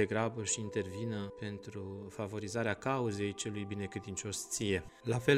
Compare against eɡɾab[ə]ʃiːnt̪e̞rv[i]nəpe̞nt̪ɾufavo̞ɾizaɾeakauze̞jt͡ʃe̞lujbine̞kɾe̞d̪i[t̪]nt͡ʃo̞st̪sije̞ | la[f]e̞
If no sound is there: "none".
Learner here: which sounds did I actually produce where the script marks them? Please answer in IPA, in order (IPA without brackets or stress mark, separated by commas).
ə, i, none, f